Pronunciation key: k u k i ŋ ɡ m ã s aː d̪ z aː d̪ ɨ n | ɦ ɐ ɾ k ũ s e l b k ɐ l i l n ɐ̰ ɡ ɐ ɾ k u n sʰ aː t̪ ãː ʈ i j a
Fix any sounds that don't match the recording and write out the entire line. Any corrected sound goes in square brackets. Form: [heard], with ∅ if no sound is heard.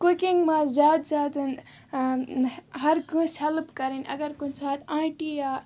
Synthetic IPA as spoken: k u k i ŋ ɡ m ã [z] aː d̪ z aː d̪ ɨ n | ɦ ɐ ɾ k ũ s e l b k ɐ [ɾ] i [∅] n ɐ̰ ɡ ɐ ɾ k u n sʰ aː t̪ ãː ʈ i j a